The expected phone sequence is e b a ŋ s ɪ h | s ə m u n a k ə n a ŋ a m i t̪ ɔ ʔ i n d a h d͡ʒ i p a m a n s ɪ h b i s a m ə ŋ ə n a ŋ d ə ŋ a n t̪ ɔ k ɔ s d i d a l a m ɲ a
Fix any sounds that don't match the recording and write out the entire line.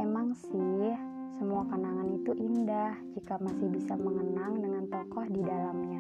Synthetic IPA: e m a ŋ s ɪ h | s ə m u a k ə n a ŋ a n i t̪ u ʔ i n d a h d͡ʒ i k a m a s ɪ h b i s a m ə ŋ ə n a ŋ d ə ŋ a n t̪ ɔ k ɔ h d i d a l a m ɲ a